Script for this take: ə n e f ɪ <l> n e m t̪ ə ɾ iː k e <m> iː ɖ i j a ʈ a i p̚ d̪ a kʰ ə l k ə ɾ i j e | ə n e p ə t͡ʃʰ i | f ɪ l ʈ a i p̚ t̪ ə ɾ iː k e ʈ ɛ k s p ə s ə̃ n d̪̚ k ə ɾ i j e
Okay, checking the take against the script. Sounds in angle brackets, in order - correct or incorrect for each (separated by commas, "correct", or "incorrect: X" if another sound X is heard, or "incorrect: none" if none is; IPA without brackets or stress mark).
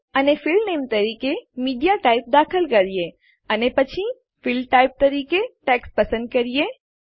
correct, correct